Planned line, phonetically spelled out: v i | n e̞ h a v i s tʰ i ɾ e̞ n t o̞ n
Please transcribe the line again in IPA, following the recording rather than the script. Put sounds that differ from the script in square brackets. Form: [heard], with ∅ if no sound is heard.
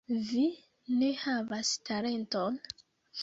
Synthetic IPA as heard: v i | n e̞ h a v [a] s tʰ [a] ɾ e̞ n t o̞ n